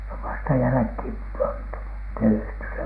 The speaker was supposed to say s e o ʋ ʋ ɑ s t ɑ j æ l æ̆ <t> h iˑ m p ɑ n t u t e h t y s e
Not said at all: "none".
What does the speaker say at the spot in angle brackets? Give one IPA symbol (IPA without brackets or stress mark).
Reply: k